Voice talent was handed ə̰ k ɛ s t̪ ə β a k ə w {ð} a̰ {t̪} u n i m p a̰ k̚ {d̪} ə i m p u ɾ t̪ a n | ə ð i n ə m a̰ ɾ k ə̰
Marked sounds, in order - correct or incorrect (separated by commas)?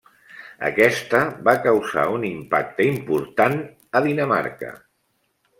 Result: incorrect, incorrect, incorrect